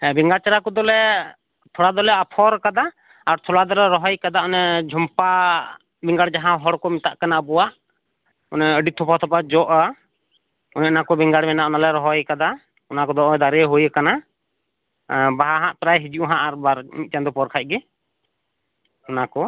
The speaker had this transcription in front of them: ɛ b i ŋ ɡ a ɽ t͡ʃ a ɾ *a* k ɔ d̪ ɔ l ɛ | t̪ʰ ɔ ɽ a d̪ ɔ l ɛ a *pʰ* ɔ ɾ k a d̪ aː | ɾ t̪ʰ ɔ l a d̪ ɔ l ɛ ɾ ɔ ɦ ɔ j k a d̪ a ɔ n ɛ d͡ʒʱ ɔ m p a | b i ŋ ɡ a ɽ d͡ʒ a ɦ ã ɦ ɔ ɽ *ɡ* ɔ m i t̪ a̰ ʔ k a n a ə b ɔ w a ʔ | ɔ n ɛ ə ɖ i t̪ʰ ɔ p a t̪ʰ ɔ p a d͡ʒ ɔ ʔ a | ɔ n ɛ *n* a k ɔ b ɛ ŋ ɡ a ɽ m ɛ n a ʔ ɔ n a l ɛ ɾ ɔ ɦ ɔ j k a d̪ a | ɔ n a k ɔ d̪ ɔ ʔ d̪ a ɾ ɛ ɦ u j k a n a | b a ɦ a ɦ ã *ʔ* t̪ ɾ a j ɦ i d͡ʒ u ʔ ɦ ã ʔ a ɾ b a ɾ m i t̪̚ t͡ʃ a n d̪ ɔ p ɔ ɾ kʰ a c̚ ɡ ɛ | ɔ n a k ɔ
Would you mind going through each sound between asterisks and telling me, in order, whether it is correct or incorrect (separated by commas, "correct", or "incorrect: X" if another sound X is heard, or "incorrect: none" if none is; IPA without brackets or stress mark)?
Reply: correct, correct, incorrect: k, correct, correct